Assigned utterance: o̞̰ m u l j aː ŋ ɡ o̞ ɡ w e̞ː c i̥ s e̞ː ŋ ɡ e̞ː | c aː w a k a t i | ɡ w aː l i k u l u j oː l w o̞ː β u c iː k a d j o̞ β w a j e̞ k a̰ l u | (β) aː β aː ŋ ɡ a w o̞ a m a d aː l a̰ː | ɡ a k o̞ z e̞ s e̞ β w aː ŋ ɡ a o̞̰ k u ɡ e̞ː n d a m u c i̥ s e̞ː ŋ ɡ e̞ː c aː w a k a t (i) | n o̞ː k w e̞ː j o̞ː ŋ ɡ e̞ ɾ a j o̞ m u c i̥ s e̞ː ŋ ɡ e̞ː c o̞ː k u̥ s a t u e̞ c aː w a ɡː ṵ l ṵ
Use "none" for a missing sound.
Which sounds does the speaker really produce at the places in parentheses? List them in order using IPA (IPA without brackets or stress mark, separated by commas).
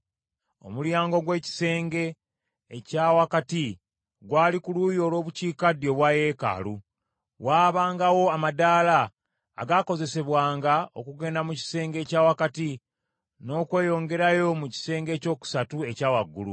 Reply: w, i